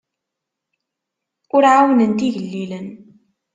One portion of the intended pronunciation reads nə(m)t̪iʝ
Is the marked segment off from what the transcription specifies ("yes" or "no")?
yes